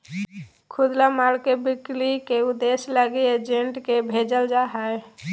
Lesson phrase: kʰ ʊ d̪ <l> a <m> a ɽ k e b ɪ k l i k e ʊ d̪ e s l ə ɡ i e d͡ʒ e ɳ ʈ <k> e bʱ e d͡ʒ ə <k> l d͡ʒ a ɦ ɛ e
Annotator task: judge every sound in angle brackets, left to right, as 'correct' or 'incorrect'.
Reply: correct, correct, correct, incorrect: none

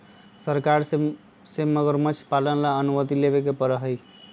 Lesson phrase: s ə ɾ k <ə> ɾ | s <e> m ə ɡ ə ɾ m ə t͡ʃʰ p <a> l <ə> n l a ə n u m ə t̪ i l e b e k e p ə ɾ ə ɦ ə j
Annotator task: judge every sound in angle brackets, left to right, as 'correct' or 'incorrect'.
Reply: incorrect: a, correct, correct, correct

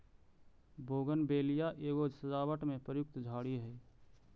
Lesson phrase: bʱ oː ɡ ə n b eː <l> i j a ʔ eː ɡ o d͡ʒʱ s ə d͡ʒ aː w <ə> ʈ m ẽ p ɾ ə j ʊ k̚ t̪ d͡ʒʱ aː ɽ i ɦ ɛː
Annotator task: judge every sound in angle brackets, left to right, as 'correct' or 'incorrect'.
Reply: correct, correct

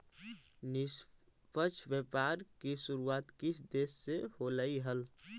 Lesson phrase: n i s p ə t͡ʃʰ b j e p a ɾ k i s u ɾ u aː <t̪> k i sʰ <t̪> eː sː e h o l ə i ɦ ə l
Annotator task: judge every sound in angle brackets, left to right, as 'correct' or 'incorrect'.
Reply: correct, incorrect: d̪

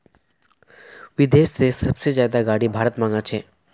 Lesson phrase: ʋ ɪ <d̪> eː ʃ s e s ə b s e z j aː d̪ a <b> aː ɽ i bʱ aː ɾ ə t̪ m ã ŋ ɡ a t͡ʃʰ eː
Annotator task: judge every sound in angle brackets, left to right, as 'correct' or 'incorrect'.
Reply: correct, incorrect: ɡ

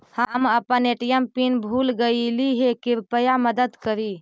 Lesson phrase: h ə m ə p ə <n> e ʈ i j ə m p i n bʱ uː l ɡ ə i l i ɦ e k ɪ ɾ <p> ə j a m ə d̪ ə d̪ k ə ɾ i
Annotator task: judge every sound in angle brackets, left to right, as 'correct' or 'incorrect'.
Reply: correct, correct

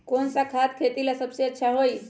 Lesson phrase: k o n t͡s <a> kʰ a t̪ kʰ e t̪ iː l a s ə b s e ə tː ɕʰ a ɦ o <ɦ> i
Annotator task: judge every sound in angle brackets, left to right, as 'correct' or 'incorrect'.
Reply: correct, incorrect: none

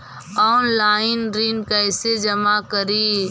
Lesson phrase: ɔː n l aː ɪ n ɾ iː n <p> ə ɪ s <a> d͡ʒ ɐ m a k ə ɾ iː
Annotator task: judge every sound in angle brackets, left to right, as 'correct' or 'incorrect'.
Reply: incorrect: k, incorrect: e

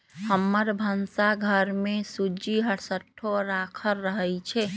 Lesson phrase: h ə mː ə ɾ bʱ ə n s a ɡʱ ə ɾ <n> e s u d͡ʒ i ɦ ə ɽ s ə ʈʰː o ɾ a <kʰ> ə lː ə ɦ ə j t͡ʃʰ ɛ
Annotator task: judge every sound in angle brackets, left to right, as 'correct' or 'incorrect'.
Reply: incorrect: m, correct

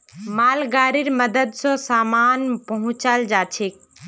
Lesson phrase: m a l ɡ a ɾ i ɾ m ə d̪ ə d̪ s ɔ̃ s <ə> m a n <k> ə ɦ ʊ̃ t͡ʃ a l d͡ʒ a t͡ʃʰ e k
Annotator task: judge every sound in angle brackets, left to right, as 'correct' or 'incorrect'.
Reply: incorrect: a, incorrect: p

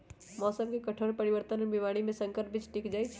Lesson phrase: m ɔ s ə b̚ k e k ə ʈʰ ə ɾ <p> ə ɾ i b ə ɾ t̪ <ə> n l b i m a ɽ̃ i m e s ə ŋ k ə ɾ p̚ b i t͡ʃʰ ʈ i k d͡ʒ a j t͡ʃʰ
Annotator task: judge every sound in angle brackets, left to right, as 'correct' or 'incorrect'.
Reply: correct, correct

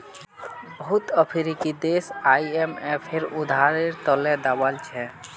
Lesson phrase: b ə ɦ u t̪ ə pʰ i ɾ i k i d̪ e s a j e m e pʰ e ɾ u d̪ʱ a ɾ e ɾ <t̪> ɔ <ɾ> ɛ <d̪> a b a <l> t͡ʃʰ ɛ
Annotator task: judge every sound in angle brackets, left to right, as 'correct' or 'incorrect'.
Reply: correct, incorrect: l, correct, correct

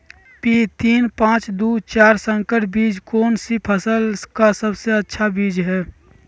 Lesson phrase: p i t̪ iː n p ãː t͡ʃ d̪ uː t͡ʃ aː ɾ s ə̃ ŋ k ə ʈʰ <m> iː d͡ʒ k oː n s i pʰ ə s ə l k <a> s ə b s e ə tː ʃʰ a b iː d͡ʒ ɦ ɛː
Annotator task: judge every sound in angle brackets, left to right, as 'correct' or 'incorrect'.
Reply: incorrect: b, correct

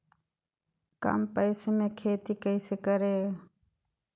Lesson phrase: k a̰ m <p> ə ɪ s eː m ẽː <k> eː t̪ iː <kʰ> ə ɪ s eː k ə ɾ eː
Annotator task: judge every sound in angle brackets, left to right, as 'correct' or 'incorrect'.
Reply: correct, incorrect: kʰ, incorrect: k

